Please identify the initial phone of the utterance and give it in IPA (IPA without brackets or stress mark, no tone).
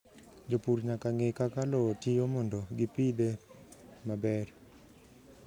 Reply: d͡ʒ